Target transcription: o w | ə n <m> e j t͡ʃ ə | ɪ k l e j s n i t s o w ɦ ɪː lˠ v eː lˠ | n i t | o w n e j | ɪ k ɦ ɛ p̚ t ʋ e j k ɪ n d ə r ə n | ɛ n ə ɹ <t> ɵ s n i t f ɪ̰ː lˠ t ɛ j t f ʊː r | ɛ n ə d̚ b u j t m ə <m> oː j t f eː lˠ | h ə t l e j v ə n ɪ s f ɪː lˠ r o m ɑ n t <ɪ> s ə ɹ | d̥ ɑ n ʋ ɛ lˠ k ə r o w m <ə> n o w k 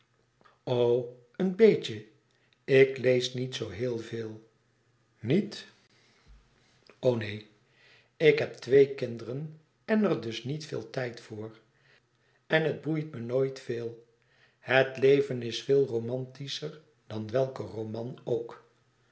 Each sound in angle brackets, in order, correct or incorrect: incorrect: b, incorrect: d, incorrect: n, incorrect: i, incorrect: ɑ

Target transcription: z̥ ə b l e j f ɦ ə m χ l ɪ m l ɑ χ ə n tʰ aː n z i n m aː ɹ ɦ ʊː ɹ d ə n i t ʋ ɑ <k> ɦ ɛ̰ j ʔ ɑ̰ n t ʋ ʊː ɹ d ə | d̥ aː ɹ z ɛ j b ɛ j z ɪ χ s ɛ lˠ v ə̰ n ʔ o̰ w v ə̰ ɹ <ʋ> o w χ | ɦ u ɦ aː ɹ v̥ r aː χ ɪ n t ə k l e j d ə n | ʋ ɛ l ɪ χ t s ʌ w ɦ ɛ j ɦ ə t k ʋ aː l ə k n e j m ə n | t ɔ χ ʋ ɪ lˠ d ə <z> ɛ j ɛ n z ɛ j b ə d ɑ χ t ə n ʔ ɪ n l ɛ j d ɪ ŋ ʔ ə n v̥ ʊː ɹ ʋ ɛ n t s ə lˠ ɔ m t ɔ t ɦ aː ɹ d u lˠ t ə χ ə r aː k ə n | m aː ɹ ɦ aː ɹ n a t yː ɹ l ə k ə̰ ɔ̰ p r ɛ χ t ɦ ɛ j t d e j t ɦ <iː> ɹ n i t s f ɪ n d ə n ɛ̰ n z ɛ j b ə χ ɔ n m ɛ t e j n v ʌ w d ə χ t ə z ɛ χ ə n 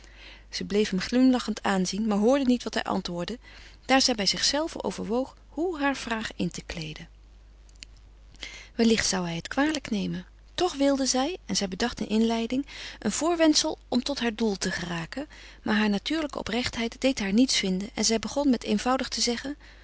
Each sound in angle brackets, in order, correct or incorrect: incorrect: t, correct, correct, incorrect: aː

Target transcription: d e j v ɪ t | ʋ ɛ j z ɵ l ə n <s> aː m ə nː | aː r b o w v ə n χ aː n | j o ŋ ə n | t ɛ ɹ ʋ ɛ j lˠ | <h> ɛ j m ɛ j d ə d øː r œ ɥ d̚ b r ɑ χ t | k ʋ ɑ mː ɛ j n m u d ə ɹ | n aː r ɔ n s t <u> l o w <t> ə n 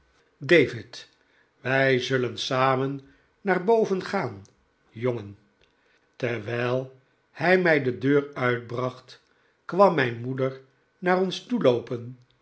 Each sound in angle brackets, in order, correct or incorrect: correct, correct, correct, incorrect: p

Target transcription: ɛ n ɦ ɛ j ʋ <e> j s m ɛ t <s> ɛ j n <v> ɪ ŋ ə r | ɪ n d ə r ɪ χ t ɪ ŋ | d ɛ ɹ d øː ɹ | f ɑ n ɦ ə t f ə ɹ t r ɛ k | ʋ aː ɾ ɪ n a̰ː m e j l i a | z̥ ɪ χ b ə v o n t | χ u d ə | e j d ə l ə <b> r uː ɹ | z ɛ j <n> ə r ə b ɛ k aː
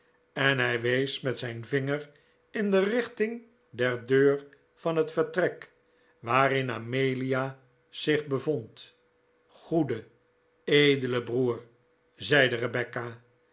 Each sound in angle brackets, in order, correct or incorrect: correct, correct, correct, correct, incorrect: d

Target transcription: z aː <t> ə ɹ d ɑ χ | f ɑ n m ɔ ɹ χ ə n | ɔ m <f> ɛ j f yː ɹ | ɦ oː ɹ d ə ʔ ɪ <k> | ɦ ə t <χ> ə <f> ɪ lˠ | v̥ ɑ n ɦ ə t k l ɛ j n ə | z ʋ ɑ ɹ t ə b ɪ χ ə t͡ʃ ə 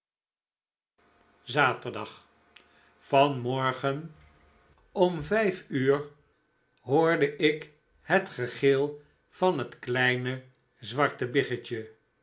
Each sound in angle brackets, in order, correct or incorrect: correct, incorrect: v, correct, correct, incorrect: χ

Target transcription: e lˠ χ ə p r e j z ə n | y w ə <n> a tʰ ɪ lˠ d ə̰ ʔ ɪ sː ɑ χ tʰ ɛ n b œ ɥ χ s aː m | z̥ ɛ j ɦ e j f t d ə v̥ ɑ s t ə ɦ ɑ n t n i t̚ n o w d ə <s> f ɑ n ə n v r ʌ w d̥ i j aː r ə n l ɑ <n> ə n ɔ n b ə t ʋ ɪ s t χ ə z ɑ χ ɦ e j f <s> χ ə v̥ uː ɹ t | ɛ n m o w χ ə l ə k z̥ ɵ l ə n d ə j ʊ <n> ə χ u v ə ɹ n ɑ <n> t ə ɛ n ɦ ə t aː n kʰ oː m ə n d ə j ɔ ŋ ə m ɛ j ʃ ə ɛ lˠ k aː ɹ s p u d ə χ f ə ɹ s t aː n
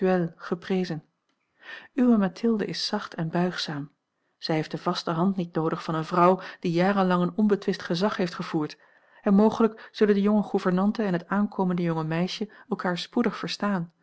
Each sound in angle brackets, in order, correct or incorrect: incorrect: m, incorrect: χ, incorrect: ŋ, incorrect: t, incorrect: ŋ, correct

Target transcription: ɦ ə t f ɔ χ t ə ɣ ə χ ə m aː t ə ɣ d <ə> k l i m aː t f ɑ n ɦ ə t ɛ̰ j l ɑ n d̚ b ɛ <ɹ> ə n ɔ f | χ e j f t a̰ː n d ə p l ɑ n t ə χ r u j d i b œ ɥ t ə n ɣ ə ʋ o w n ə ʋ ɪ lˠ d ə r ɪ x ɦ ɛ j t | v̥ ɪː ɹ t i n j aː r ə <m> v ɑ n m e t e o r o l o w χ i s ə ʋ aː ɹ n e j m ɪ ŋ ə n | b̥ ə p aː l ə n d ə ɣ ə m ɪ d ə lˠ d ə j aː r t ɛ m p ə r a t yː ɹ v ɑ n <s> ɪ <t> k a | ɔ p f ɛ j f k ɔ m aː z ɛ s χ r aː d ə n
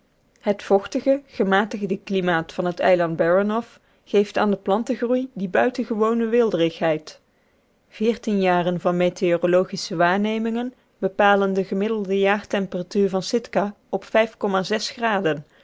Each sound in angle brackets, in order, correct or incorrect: correct, correct, incorrect: n, correct, correct

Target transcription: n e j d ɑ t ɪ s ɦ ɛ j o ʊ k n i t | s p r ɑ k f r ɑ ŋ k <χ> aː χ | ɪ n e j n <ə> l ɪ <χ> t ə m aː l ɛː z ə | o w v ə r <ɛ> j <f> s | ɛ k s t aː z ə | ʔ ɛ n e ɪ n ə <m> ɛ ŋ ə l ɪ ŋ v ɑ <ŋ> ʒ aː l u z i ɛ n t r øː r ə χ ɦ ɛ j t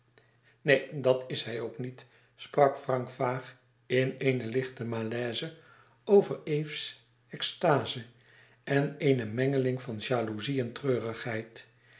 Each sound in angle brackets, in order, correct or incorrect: incorrect: f, correct, correct, incorrect: e, correct, correct, incorrect: n

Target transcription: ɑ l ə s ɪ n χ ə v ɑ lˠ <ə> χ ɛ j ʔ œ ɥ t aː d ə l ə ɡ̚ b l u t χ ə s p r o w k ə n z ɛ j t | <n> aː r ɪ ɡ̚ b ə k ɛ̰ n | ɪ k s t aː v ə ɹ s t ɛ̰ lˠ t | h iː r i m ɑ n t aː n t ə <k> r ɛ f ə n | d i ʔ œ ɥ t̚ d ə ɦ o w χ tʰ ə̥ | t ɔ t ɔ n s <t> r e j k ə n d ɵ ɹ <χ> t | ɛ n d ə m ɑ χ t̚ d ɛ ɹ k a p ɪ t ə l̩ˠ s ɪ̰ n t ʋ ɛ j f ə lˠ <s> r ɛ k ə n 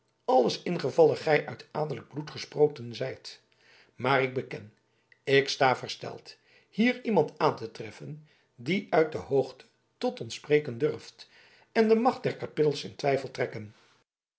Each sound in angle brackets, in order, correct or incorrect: correct, incorrect: m, incorrect: t, incorrect: p, incorrect: f, incorrect: t

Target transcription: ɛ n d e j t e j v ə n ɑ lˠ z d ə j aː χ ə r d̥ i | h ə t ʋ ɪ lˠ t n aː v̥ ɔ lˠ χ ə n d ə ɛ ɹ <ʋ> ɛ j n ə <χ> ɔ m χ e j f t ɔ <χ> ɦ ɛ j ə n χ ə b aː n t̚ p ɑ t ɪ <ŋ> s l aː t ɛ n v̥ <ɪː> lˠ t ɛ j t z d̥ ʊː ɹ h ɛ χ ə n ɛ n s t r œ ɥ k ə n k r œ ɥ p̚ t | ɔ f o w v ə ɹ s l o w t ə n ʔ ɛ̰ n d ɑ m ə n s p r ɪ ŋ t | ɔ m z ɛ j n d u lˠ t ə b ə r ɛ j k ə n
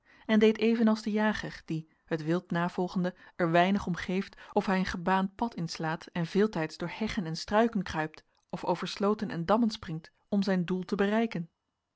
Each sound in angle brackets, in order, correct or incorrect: correct, correct, incorrect: f, incorrect: n, correct

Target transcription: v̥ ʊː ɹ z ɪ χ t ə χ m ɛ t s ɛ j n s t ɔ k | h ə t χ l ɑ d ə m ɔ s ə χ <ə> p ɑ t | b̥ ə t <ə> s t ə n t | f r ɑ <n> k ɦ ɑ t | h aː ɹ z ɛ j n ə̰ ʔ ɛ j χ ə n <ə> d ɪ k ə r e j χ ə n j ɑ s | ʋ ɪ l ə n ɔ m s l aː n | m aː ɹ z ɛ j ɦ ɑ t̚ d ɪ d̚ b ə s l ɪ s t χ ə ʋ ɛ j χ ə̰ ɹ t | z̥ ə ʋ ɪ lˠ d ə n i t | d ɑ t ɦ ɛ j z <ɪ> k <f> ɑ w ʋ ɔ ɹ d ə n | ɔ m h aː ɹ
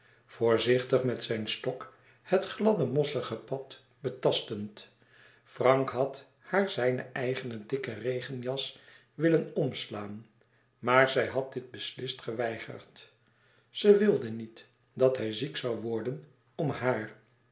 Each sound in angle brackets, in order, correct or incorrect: correct, incorrect: ɑ, incorrect: ŋ, correct, incorrect: i, incorrect: s

